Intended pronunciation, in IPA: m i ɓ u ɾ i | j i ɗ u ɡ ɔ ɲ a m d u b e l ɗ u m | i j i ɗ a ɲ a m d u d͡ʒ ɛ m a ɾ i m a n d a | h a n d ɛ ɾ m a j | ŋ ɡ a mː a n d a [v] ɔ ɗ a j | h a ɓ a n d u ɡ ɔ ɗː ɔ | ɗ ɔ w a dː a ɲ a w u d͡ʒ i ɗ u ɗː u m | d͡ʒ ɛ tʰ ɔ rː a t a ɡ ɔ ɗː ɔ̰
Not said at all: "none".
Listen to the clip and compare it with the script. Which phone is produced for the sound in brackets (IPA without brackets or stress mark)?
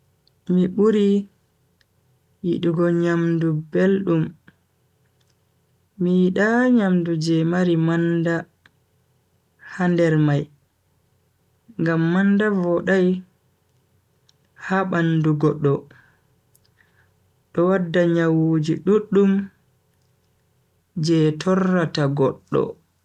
v